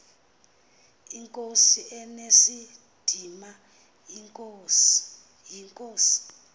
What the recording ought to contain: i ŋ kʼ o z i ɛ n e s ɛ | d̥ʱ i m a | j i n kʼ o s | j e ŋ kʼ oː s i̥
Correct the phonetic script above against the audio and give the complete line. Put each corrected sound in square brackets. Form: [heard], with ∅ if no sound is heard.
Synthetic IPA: i ŋ kʼ o [s] i ɛ n e s [i] | d̥ʱ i m a | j i [ŋ] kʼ o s | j [i] ŋ kʼ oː s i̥